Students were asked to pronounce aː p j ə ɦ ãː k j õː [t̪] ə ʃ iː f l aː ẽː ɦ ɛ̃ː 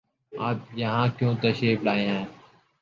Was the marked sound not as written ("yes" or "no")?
no